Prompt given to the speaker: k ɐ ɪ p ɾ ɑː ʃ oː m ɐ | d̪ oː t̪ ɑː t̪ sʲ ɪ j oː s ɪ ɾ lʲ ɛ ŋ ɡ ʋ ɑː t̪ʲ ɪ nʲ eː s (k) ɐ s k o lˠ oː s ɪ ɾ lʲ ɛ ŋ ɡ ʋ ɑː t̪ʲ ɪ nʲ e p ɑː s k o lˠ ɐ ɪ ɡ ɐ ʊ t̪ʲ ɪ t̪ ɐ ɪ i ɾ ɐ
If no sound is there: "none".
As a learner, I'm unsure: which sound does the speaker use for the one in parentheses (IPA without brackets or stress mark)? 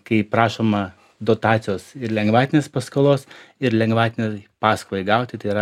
p